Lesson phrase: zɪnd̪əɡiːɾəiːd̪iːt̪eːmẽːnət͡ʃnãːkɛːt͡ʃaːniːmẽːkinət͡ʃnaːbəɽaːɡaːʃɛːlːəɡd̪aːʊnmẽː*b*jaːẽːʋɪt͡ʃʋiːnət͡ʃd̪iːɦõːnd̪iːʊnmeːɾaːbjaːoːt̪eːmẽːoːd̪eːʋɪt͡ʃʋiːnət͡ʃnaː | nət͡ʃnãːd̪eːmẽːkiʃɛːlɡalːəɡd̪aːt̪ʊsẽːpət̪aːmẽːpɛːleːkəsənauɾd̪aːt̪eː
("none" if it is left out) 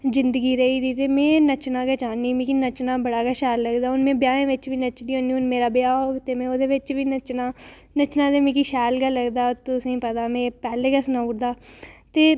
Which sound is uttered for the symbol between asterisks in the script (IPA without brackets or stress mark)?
b